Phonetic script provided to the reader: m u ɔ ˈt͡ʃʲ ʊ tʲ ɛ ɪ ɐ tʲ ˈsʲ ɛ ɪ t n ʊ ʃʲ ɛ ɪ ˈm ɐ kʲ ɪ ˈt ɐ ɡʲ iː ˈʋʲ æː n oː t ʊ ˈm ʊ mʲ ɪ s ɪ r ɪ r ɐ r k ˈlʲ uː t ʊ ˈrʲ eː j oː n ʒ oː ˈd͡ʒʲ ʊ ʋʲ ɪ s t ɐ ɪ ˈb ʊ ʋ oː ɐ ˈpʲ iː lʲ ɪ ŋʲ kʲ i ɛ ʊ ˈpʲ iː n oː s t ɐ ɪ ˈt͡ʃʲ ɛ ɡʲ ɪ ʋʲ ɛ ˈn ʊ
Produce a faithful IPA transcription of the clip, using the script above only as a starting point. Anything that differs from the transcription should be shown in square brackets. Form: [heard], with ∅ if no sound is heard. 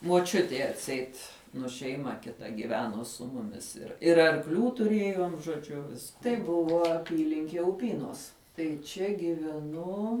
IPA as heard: m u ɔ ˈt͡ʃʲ ʊ tʲ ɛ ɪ ɐ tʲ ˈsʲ ɛ ɪ t n ʊ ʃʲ ɛ ɪ ˈm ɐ kʲ ɪ ˈt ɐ ɡʲ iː ˈʋʲ æː n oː [s] ʊ ˈm ʊ mʲ ɪ s ɪ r ɪ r ɐ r k ˈlʲ uː t ʊ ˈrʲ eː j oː [m] ʒ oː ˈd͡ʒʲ ʊ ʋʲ ɪ s t ɐ ɪ ˈb ʊ ʋ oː ɐ ˈpʲ iː lʲ ɪ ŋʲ kʲ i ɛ ʊ ˈpʲ iː n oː s t ɐ ɪ ˈt͡ʃʲ ɛ ɡʲ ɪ ʋʲ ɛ ˈn ʊ